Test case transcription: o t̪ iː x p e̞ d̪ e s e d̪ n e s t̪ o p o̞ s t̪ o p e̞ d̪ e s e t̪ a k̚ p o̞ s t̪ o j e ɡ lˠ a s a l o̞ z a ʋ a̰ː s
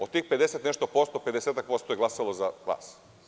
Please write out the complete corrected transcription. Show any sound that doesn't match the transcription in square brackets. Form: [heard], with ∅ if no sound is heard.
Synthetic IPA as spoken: o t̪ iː x p e̞ d̪ e s e [t̪] n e [ʃ] t̪ o p o̞ s t̪ o p e̞ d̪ e s e t̪ a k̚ p o̞ s t̪ o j e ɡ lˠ a s a l o̞ z a ʋ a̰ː s